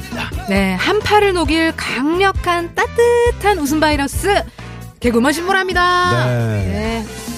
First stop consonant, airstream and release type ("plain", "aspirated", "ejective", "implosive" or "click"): aspirated